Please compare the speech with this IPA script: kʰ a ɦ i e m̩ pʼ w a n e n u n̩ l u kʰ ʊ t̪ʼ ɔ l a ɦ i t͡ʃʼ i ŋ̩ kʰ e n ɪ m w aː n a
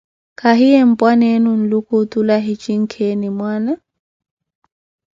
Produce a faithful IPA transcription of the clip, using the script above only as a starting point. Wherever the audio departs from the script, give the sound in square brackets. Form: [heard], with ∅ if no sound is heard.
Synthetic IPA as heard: kʰ a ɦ i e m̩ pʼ w a n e n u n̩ l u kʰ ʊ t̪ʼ [u] l a ɦ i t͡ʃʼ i ŋ̩ kʰ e n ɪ m w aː n a